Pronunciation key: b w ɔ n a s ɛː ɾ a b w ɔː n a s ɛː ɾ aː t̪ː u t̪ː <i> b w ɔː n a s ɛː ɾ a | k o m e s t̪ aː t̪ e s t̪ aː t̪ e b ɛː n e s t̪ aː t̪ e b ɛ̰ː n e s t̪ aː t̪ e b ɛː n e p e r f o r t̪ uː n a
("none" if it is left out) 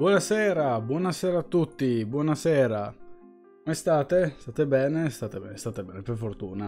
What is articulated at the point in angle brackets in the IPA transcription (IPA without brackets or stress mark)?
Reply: i